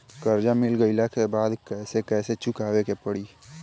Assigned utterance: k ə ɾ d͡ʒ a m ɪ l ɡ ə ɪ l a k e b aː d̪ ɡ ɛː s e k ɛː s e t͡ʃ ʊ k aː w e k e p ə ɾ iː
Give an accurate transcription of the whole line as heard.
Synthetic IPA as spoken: k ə ɾ d͡ʒ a m ɪ l ɡ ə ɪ l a k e b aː d̪ k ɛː s e k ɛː s e t͡ʃ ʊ k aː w e k e p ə ɽ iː